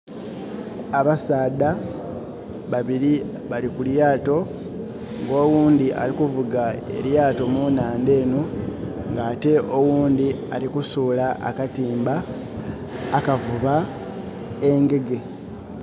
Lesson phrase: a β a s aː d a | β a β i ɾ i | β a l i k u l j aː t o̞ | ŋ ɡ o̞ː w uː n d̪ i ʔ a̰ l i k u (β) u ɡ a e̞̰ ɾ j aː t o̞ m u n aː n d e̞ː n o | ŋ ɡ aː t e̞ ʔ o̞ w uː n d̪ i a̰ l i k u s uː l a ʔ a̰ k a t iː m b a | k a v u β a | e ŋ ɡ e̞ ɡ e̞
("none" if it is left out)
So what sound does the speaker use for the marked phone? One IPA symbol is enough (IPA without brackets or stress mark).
v